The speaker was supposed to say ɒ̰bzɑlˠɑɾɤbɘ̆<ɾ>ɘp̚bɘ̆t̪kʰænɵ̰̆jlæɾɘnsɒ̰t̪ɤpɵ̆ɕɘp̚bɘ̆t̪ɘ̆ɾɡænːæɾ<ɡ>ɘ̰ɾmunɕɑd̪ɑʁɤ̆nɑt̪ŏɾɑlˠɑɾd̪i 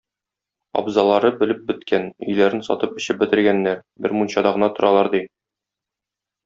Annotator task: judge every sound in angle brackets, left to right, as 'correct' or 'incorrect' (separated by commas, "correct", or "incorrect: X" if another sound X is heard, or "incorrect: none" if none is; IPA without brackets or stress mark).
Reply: incorrect: l, incorrect: b